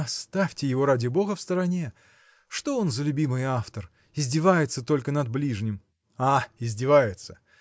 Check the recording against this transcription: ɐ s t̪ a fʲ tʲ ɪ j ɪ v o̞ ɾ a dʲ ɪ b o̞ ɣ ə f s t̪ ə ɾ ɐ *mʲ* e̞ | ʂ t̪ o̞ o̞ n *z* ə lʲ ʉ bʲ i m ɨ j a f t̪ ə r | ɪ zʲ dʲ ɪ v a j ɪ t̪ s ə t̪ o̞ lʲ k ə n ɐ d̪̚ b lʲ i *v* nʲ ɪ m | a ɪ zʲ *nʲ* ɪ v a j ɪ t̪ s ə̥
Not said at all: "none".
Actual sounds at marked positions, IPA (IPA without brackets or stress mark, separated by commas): nʲ, z, ʐ, dʲ